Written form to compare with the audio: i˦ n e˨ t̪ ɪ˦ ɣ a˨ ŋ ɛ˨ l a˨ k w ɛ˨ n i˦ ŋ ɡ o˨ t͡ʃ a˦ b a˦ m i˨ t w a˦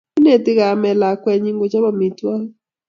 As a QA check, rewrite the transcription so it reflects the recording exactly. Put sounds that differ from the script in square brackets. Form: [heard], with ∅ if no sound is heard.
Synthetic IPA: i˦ n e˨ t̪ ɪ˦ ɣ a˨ [m] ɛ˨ l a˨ k w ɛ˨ [ɲ] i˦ ŋ ɡ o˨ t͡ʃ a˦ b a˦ m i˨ t w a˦